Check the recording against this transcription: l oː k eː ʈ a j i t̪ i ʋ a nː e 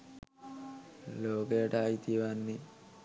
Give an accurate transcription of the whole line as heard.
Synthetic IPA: l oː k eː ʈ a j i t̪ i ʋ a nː i